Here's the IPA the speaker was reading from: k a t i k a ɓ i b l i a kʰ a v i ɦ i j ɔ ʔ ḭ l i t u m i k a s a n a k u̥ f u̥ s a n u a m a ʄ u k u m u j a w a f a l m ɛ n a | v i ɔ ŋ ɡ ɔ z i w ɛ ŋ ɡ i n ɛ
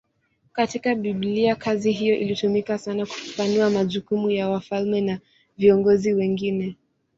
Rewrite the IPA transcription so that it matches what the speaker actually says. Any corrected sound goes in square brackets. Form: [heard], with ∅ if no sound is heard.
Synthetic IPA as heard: k a t i k a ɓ i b l i a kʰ a [z] i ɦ i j ɔ ʔ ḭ l i t u m i k a s a n a k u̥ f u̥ [f] a n u a m a ʄ u k u m u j a w a f a l m ɛ n a | v i ɔ ŋ ɡ ɔ z i w ɛ ŋ ɡ i n ɛ